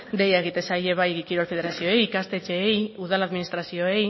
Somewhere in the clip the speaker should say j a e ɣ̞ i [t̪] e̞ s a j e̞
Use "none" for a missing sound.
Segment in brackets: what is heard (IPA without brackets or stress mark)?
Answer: t̪